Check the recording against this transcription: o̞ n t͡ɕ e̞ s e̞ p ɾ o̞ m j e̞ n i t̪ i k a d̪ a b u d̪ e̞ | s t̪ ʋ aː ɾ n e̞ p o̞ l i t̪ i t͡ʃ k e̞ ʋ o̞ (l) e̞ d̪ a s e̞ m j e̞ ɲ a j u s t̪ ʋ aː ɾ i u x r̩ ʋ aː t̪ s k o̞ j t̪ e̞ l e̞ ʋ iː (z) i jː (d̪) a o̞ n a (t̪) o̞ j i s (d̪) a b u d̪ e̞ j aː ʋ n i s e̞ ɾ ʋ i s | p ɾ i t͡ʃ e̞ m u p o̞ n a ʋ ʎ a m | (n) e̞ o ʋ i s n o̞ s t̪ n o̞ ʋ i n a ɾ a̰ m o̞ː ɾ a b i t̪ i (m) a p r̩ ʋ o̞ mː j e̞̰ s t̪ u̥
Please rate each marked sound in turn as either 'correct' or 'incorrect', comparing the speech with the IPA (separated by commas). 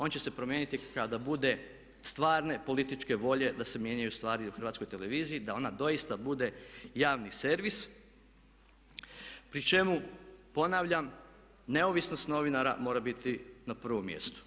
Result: incorrect, correct, correct, incorrect, incorrect, correct, incorrect